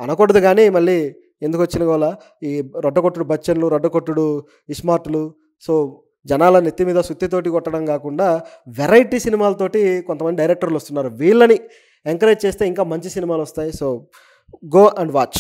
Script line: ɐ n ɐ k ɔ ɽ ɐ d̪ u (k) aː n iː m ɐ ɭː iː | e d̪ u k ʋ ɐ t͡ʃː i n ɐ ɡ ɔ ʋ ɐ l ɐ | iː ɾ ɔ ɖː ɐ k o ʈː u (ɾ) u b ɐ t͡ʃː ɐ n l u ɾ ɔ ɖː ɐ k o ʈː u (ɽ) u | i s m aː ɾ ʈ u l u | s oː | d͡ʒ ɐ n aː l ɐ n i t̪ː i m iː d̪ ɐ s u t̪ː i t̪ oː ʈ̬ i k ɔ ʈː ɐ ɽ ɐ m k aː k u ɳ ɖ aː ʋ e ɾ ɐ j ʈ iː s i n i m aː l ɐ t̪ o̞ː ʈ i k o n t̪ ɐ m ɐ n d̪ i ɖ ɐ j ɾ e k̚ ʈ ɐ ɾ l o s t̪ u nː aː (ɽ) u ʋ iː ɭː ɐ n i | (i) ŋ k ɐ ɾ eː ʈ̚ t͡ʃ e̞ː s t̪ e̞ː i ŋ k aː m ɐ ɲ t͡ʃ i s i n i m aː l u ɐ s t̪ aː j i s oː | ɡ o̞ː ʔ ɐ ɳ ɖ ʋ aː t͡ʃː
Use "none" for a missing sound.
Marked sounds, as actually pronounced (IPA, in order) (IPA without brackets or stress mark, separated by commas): ɡ, ɽ, ɽ, ɾ, e